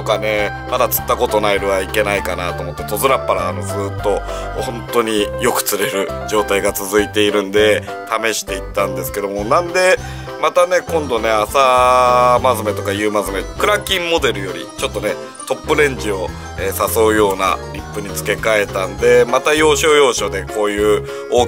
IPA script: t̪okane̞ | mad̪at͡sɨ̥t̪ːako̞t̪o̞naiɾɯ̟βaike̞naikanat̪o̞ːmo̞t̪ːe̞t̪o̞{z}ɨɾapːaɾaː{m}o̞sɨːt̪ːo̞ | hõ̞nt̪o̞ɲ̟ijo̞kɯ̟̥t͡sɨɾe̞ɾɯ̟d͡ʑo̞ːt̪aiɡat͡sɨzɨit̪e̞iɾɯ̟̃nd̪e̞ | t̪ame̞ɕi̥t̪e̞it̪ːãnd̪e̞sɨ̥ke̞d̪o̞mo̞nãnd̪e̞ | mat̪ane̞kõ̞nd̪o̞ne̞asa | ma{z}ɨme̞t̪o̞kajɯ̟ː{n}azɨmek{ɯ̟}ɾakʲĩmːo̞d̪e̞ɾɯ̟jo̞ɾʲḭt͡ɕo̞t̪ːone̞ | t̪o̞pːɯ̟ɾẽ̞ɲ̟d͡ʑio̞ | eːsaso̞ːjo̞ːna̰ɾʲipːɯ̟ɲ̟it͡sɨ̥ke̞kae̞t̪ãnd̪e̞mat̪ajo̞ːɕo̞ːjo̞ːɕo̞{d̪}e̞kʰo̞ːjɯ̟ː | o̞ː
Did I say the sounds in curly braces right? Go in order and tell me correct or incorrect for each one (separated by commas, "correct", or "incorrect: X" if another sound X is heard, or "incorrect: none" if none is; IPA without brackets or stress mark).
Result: correct, incorrect: n, correct, incorrect: m, correct, correct